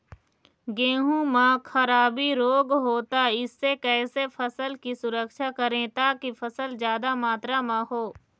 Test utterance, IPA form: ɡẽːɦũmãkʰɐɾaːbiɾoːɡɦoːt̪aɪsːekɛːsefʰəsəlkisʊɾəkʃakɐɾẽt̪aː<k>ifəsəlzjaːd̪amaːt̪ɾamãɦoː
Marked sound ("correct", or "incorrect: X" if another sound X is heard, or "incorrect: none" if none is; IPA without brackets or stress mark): correct